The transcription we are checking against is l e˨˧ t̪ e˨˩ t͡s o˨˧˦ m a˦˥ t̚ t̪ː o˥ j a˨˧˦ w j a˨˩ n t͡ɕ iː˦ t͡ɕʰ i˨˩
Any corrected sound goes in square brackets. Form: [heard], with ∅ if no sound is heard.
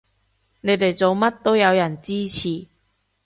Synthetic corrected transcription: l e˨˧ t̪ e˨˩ t͡s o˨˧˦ m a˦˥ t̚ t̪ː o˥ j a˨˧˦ w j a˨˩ n t͡ɕ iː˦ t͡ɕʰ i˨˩